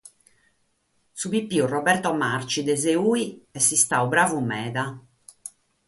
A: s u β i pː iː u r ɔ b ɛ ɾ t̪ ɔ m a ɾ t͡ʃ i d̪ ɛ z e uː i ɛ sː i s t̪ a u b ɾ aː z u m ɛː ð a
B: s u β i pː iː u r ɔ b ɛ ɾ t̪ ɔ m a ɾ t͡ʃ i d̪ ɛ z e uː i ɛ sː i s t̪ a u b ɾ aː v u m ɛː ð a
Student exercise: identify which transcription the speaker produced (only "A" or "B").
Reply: B